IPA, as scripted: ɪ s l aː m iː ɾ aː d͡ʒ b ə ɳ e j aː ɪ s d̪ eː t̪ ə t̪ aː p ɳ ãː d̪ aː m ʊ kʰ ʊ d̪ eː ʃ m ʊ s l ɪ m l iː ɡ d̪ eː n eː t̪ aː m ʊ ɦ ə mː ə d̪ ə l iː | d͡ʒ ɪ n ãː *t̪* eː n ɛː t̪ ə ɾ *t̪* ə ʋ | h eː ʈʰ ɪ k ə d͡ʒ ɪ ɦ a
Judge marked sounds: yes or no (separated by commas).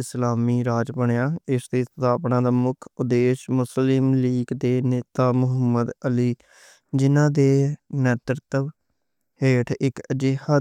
no, yes